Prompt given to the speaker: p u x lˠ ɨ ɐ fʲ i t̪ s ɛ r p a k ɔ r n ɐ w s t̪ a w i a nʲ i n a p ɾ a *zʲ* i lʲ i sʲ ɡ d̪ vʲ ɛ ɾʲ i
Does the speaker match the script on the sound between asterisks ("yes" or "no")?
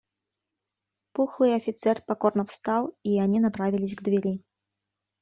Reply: no